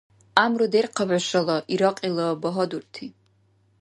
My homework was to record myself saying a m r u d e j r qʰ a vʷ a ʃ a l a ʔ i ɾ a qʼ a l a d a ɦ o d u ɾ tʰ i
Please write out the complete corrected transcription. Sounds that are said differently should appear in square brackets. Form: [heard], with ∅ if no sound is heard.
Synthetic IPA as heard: a m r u d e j r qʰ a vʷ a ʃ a l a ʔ i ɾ a qʼ [i] l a [b] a ɦ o d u [r] tʰ i